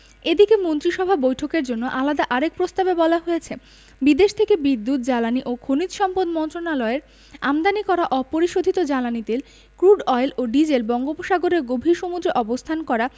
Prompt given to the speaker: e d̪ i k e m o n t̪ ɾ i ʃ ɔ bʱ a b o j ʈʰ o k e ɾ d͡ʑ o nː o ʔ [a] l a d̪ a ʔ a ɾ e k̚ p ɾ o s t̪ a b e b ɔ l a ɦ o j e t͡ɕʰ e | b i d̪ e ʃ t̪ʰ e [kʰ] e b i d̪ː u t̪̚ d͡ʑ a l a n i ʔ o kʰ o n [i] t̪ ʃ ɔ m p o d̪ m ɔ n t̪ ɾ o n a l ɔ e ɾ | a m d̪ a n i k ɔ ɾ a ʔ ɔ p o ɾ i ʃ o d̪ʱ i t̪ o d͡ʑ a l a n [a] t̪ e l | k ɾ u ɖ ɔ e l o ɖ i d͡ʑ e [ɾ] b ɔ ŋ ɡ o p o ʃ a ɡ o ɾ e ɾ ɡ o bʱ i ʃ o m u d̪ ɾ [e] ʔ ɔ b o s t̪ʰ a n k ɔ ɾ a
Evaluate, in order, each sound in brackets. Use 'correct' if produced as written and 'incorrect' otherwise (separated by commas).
correct, incorrect, correct, incorrect, incorrect, correct